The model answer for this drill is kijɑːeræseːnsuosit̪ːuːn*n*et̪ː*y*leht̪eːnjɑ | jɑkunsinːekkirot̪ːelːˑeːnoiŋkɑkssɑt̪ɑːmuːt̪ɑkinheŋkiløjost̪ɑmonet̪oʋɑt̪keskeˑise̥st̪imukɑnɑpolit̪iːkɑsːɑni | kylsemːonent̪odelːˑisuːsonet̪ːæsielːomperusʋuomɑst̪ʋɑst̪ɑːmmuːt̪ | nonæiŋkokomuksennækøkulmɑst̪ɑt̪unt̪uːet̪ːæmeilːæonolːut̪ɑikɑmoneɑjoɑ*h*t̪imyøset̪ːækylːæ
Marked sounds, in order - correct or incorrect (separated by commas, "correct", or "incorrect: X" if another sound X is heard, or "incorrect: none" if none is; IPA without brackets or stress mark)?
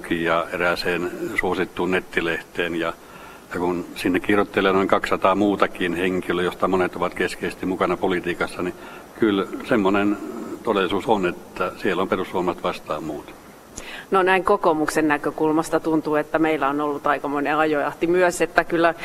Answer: correct, incorrect: i, correct